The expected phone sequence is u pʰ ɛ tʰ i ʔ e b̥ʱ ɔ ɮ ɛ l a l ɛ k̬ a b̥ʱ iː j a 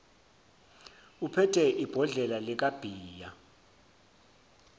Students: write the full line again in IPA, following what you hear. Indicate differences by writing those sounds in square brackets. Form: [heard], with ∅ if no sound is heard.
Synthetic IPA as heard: u pʰ ɛ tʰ [ɛ] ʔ [i] b̥ʱ ɔ ɮ ɛ l a l ɛ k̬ a b̥ʱ iː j a